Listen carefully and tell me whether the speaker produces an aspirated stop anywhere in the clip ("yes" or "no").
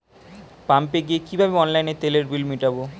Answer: no